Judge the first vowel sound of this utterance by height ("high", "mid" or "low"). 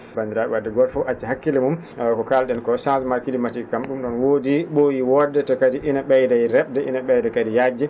low